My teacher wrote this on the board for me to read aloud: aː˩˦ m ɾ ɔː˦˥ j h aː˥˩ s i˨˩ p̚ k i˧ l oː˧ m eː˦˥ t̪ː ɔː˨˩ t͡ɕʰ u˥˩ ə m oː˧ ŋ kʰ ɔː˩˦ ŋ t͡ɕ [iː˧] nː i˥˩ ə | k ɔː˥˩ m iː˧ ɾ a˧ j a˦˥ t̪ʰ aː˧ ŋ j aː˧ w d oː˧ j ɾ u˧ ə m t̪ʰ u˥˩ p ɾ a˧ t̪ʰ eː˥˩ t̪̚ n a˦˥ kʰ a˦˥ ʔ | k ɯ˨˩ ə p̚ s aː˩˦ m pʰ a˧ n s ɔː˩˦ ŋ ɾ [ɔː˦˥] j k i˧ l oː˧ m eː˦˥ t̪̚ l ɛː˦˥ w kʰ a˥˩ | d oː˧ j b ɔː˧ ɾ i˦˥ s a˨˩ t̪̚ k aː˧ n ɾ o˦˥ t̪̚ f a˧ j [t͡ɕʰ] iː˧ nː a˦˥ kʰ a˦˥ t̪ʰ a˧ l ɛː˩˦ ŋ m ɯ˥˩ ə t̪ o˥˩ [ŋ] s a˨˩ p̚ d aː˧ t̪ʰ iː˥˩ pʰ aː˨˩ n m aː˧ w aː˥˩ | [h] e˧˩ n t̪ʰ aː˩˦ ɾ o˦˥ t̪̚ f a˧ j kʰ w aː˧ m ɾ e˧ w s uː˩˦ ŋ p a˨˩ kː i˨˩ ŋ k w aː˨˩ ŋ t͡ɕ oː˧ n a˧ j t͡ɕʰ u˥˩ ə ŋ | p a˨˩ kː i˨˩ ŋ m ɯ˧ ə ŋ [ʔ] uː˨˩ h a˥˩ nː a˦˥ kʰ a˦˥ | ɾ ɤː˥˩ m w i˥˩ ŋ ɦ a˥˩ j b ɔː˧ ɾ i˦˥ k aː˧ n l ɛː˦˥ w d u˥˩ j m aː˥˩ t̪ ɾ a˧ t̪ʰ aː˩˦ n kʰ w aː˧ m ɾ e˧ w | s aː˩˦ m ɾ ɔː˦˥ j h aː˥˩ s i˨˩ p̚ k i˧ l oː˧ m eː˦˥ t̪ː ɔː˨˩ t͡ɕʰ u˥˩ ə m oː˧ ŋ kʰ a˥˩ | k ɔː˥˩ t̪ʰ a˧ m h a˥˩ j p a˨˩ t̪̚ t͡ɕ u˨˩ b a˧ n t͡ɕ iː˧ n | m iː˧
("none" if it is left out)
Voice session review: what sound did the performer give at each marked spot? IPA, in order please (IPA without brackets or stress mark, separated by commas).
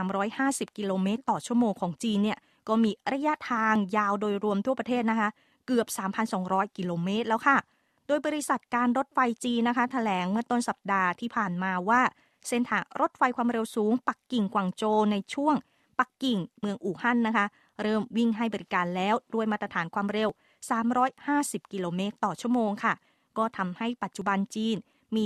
iː˧, ɔː˦˥, t͡ɕ, n, s, ʔ